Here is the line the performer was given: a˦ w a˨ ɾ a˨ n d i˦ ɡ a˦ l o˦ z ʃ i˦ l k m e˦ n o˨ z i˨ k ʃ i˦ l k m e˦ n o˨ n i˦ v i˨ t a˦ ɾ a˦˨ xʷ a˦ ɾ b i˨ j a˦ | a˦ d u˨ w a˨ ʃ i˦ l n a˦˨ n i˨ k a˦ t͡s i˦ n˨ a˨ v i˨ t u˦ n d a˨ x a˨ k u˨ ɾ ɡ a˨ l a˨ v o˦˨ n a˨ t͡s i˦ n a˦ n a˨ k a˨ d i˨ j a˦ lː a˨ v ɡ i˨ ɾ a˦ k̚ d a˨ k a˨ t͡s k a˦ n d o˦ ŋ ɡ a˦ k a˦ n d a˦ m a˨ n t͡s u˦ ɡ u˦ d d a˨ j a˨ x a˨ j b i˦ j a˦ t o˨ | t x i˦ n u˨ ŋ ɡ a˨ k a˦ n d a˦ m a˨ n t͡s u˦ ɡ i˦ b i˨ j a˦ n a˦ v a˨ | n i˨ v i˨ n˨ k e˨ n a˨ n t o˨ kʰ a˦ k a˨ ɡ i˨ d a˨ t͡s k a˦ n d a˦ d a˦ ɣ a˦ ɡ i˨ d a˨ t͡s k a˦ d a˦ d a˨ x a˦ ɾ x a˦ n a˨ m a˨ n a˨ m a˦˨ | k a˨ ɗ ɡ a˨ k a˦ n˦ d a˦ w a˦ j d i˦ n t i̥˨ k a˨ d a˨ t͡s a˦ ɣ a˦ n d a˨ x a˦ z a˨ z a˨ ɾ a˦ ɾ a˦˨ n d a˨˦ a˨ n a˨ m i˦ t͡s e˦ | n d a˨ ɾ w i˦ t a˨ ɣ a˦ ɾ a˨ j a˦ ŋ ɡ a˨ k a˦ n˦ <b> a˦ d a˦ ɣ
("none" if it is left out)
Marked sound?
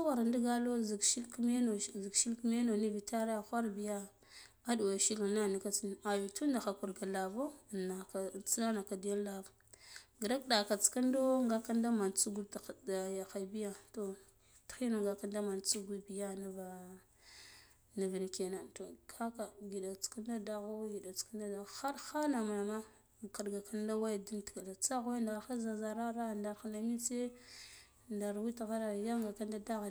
d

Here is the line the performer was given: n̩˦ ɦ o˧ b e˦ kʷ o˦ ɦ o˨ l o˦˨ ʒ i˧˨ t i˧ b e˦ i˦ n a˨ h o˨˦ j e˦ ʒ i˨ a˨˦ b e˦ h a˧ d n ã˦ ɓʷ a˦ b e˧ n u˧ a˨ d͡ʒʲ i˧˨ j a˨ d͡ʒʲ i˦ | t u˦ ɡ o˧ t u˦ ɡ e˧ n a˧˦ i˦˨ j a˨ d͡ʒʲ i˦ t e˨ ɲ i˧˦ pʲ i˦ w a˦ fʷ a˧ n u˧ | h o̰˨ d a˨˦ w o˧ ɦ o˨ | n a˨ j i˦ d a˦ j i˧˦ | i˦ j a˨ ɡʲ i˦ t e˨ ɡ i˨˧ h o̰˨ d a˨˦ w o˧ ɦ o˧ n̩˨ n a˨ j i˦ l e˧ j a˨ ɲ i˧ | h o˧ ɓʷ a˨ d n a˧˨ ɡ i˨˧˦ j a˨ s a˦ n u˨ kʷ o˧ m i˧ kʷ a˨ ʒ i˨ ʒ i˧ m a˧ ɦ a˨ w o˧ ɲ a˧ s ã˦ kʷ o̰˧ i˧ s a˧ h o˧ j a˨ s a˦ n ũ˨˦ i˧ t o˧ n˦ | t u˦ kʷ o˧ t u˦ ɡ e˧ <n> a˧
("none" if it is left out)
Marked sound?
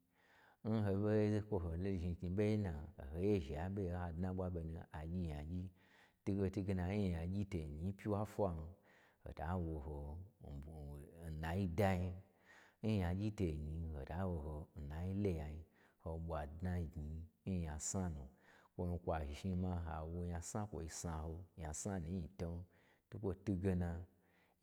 n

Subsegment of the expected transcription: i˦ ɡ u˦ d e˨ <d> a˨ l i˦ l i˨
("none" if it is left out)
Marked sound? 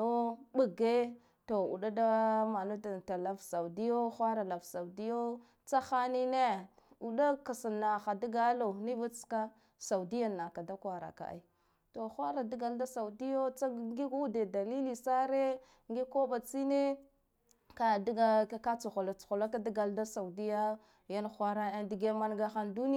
d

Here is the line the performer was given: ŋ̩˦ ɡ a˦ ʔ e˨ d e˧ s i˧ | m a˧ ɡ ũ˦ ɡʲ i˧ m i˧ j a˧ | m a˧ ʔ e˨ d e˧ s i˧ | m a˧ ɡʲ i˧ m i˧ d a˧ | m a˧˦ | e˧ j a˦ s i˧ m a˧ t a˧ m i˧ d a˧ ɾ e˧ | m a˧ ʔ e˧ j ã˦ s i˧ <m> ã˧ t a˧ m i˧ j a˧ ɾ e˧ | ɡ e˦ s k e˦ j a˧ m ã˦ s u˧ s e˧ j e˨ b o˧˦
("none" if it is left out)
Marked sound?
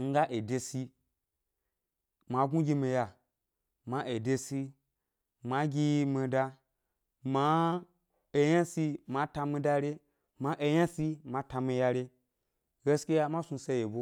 m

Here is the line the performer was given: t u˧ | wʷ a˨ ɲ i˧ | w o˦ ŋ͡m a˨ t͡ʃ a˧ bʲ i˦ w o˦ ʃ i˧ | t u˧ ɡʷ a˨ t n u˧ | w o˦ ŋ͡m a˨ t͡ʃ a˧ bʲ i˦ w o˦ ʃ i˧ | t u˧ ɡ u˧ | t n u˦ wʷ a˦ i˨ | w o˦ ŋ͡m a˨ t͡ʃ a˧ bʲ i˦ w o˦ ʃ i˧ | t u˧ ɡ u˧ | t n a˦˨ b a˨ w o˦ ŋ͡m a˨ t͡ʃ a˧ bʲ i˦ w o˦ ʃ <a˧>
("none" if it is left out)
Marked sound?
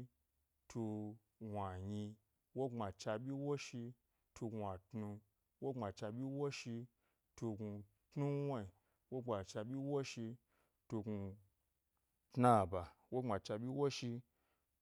i˧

